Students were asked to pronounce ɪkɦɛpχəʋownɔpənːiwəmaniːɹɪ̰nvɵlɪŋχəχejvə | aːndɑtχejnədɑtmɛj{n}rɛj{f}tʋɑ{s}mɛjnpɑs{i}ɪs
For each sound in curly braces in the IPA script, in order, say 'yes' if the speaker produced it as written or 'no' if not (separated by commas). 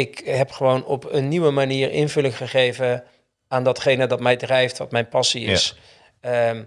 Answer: no, yes, no, yes